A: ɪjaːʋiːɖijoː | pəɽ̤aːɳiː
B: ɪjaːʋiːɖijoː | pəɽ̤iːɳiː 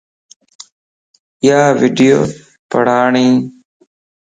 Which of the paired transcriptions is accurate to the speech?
A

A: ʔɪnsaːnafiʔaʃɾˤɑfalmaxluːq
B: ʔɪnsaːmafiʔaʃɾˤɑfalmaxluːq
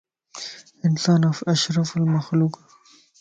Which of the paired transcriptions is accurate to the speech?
A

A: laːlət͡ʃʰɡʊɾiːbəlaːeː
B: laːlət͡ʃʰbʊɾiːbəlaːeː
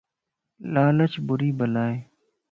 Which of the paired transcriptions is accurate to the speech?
B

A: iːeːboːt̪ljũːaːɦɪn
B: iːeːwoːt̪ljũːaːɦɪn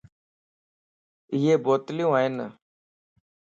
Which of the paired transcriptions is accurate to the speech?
A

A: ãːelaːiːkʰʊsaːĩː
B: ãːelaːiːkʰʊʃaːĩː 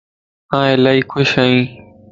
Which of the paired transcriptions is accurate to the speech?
B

